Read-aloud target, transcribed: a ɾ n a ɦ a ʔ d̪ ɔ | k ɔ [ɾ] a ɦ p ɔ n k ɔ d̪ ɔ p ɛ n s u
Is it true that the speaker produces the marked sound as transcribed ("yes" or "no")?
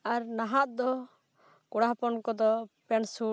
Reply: no